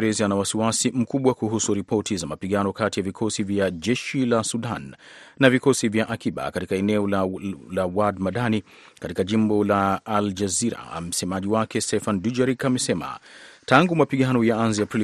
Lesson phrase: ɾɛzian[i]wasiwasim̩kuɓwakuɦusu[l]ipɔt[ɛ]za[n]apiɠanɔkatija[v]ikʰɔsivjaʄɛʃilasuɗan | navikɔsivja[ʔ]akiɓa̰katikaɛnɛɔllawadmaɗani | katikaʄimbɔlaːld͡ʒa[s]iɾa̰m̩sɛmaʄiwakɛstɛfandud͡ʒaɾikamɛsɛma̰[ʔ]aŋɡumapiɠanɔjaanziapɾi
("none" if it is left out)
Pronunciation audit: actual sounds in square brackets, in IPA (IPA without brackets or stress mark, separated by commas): a, ɾ, i, m, v, ʔ, z, t